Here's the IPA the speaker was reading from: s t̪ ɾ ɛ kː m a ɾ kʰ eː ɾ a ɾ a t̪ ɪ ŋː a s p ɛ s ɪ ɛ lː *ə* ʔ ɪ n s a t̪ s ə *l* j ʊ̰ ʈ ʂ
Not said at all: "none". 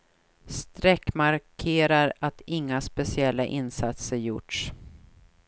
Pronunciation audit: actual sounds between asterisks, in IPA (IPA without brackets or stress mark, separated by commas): a, ɾ